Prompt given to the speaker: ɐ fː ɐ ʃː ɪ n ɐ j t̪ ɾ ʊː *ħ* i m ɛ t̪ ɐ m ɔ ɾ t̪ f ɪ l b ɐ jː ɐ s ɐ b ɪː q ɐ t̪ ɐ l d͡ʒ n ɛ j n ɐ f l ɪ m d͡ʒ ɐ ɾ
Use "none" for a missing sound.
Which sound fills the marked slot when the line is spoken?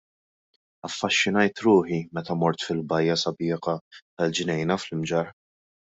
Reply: ħ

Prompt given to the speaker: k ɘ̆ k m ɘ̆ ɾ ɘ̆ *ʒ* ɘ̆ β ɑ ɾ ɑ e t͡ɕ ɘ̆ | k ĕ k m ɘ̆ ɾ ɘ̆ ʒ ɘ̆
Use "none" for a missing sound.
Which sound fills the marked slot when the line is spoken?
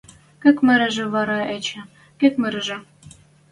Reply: ʒ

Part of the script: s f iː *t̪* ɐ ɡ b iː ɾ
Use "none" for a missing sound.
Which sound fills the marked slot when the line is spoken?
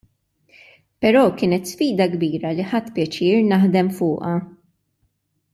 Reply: d̪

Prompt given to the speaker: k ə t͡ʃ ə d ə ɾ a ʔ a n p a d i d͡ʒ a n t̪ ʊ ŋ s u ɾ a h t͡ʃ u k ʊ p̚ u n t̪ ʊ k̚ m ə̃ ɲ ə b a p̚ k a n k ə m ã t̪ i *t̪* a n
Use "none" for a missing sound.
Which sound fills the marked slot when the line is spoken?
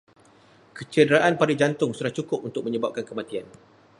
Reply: none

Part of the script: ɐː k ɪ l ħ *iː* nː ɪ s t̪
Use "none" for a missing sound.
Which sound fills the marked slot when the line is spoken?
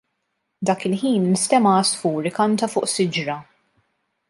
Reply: iː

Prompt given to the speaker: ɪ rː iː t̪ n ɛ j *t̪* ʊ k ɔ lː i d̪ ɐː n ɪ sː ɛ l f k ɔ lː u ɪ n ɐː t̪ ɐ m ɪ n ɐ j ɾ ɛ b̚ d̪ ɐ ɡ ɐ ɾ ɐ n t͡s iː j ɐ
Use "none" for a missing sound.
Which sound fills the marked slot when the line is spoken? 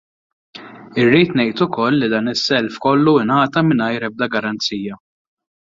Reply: t̪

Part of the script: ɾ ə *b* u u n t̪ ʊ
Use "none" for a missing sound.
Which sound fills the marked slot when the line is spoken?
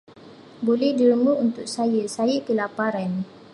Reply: m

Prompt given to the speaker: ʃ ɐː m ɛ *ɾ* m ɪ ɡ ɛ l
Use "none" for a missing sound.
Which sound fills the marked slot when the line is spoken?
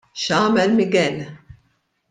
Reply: l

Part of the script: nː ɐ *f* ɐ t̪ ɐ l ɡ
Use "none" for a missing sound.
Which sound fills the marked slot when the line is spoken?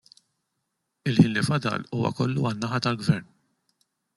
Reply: ħ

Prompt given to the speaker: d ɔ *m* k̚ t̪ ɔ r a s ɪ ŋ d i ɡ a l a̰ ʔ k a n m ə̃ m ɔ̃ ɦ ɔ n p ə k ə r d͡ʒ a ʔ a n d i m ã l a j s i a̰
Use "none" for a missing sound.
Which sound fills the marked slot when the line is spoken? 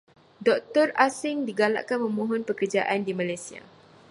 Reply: none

